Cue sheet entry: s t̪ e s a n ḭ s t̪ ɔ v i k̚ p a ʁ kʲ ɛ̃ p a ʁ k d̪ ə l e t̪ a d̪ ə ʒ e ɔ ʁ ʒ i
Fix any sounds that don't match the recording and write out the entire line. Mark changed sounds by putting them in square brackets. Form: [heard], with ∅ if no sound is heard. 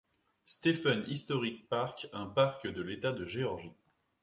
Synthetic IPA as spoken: s t̪ e [f] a n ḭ s t̪ ɔ [ʁ] i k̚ p a ʁ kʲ ɛ̃ p a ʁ k d̪ ə l e t̪ a d̪ ə ʒ e ɔ ʁ ʒ i